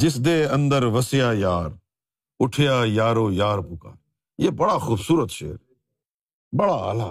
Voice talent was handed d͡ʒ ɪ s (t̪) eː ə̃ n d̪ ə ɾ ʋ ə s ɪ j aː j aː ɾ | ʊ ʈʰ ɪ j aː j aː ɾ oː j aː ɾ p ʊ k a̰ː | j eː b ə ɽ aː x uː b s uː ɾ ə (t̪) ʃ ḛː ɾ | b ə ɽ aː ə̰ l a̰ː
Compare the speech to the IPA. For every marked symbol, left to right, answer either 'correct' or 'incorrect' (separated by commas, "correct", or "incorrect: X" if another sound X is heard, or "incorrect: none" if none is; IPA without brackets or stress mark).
incorrect: d̪, correct